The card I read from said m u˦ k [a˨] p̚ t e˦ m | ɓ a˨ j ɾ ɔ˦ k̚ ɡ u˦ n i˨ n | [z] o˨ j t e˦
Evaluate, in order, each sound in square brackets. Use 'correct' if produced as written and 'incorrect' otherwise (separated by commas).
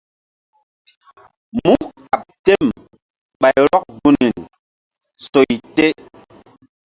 correct, incorrect